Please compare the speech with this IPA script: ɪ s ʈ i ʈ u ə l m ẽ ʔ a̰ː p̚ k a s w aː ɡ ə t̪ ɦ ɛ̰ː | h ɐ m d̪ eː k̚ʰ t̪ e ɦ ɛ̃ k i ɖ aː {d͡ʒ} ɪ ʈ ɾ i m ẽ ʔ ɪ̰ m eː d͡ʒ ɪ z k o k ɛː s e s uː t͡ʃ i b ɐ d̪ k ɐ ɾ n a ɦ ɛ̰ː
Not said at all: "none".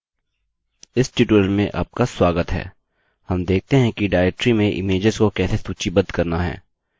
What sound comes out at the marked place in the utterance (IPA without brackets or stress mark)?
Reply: none